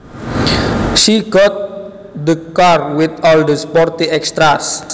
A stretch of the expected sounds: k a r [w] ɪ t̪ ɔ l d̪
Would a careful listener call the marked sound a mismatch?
no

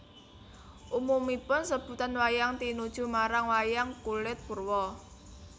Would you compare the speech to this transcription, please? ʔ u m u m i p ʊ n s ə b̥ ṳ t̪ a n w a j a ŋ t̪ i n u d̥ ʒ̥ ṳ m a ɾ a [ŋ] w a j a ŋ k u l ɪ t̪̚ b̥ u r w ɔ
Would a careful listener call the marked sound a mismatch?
no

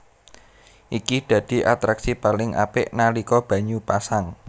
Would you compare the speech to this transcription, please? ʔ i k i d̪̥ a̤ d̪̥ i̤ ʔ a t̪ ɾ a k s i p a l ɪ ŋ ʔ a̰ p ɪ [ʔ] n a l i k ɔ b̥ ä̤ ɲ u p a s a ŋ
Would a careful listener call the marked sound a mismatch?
no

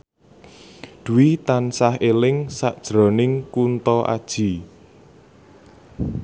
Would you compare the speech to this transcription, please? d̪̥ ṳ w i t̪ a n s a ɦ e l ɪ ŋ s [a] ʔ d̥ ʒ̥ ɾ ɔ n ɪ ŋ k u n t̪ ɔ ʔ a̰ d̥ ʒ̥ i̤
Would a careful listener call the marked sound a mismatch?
no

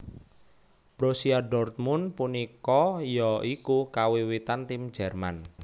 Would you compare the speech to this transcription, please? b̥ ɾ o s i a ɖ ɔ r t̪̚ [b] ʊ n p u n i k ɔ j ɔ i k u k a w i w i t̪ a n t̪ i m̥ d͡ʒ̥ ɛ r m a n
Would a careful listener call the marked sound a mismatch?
yes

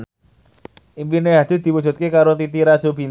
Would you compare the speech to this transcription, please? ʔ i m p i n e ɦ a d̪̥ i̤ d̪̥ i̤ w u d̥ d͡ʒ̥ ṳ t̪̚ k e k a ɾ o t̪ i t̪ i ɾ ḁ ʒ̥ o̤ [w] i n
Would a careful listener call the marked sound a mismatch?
yes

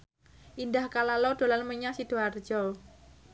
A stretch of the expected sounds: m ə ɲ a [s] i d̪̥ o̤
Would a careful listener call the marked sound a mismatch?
no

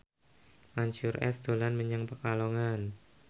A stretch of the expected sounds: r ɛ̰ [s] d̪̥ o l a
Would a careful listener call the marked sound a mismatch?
no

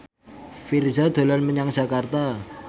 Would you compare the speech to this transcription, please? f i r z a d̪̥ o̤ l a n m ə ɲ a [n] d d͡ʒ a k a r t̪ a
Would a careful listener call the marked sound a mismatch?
yes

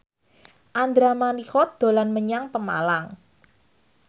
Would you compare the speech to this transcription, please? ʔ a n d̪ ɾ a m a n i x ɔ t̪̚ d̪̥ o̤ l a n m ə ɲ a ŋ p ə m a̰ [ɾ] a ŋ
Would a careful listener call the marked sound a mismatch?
yes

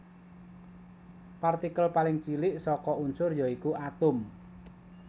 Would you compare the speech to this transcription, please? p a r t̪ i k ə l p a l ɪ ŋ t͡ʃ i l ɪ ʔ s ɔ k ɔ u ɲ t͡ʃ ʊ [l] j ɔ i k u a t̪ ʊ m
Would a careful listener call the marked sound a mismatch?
yes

